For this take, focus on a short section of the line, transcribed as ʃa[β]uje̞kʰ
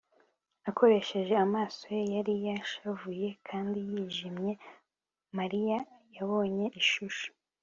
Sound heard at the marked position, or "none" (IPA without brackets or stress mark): v